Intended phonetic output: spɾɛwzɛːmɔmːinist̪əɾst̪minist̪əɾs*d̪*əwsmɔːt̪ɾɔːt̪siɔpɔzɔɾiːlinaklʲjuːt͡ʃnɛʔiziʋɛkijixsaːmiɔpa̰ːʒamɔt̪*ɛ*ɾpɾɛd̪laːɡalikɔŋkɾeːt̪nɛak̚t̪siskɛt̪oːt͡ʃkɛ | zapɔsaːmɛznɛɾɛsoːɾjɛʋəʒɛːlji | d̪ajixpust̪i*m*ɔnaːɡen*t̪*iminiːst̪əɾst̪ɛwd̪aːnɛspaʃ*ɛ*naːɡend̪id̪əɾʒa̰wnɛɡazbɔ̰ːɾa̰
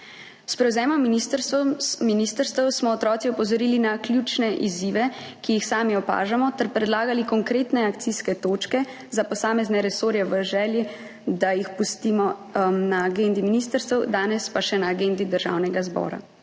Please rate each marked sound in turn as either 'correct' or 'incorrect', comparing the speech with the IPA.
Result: incorrect, correct, correct, incorrect, correct

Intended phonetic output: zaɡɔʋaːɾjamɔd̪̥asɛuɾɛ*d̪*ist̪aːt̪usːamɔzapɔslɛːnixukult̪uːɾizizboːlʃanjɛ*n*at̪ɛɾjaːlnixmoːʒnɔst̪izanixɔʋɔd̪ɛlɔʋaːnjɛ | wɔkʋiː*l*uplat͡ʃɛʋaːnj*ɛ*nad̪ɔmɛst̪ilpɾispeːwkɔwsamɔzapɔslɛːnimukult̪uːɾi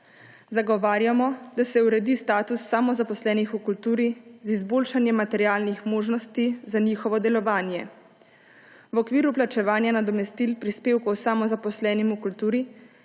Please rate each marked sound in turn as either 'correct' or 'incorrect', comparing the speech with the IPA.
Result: correct, incorrect, incorrect, incorrect

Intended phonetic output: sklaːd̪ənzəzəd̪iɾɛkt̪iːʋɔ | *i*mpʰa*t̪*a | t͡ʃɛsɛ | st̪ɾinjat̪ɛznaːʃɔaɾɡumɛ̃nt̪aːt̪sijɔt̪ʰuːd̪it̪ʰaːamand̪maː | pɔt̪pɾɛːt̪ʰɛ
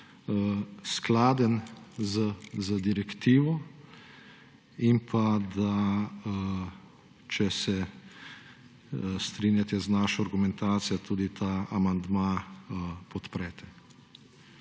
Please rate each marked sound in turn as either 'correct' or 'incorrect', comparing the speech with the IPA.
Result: correct, incorrect

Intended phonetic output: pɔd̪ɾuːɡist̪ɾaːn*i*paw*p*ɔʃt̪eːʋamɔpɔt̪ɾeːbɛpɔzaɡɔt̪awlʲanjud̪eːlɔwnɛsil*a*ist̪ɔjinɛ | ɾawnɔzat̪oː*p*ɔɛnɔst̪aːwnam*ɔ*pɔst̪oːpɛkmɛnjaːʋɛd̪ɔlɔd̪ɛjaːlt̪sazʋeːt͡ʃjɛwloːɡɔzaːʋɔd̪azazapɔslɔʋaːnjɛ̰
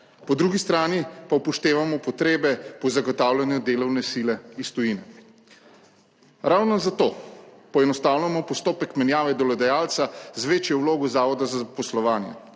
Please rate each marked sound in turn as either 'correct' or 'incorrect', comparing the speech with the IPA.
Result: correct, correct, incorrect, correct, correct

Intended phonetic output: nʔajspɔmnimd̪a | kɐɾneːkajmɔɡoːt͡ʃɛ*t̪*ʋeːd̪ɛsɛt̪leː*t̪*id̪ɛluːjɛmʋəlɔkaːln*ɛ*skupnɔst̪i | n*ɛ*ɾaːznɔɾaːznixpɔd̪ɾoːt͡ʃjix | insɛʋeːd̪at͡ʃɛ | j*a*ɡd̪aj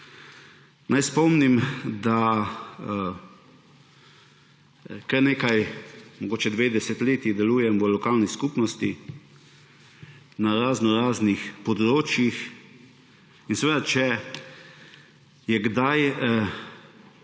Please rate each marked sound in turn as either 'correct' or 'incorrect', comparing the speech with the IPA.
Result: incorrect, correct, incorrect, incorrect, incorrect

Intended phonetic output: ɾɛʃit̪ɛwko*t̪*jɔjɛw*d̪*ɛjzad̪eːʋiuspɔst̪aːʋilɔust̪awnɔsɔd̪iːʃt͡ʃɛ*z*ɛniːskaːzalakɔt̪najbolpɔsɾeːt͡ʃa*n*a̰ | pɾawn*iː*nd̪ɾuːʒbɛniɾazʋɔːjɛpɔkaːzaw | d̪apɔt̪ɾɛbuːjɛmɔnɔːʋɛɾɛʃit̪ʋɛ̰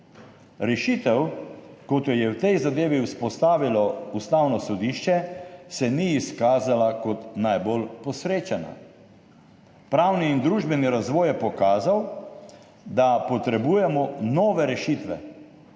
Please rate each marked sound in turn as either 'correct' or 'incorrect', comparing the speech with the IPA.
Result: correct, incorrect, incorrect, correct, correct

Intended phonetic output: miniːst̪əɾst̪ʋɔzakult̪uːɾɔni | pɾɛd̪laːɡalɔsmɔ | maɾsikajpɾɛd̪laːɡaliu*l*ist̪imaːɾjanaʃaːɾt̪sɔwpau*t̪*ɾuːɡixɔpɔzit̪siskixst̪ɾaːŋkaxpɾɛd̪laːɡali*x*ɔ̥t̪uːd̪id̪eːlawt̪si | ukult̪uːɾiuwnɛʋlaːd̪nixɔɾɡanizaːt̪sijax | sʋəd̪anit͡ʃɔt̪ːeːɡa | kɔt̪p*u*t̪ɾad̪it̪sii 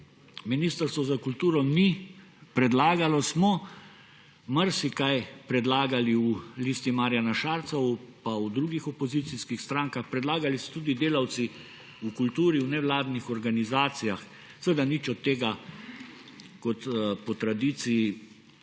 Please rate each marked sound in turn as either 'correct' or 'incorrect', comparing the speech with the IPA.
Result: correct, incorrect, incorrect, incorrect

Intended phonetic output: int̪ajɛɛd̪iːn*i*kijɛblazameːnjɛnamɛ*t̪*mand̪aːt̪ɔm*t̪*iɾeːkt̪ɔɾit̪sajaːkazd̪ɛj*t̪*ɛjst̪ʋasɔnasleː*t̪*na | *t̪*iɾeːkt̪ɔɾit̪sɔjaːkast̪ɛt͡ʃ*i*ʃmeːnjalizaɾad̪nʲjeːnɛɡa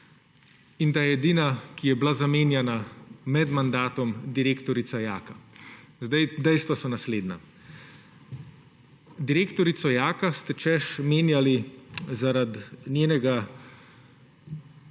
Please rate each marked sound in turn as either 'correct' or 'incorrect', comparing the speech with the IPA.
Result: incorrect, incorrect, incorrect, incorrect, incorrect, incorrect, incorrect

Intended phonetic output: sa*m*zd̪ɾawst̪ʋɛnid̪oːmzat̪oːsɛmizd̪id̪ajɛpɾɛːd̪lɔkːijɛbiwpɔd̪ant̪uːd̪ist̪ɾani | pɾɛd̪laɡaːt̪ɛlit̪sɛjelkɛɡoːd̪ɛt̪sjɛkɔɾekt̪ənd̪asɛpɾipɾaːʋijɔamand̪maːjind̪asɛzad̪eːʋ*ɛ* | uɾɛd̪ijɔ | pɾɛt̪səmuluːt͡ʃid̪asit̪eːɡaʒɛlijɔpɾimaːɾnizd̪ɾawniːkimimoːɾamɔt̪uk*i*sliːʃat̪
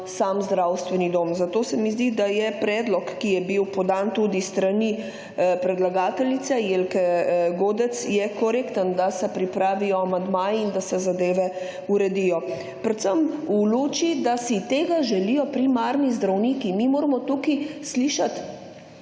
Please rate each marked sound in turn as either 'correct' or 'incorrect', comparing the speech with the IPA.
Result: correct, correct, correct

